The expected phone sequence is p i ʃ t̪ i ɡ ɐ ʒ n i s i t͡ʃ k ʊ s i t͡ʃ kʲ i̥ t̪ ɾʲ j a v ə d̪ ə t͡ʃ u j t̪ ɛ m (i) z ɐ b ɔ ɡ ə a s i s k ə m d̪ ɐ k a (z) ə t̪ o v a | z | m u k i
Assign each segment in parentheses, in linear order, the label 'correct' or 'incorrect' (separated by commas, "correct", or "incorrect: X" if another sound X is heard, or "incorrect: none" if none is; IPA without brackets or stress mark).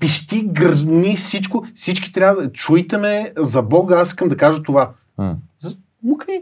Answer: incorrect: ɛ, incorrect: ʒ